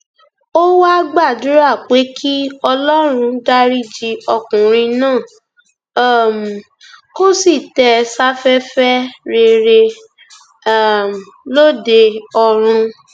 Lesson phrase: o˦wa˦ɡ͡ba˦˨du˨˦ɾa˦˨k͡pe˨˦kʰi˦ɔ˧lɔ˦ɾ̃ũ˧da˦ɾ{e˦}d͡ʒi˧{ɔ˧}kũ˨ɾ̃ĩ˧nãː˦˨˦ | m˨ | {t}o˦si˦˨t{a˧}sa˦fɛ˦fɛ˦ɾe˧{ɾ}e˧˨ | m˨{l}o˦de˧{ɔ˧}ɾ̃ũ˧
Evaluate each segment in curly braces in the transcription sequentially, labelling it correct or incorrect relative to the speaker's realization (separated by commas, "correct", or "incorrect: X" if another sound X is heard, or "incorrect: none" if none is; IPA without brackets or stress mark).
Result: incorrect: i˦, correct, incorrect: k, incorrect: ɛ˧, correct, correct, correct